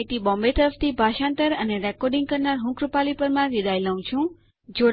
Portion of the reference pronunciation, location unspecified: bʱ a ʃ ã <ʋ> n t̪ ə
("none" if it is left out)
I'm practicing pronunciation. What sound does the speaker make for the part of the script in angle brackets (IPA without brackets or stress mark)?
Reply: none